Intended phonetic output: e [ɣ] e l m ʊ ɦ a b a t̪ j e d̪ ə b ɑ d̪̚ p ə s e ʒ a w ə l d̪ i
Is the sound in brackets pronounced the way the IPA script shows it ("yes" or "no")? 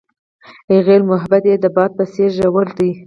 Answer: yes